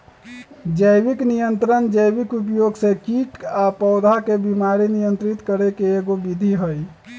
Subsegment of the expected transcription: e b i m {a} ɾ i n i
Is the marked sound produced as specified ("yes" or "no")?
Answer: yes